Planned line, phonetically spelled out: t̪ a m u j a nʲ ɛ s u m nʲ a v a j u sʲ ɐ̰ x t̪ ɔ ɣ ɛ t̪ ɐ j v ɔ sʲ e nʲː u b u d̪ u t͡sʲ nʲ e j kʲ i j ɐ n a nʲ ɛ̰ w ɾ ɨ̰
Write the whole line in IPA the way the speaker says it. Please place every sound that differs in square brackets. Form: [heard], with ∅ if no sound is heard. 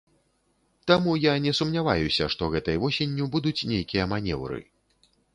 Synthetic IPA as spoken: t̪ a m u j a nʲ ɛ s u m nʲ a v a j u sʲ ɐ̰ [ʂ] t̪ ɔ ɣ ɛ t̪ ɐ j v ɔ sʲ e nʲː u b u d̪ u t͡sʲ nʲ e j kʲ i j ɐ [m] a nʲ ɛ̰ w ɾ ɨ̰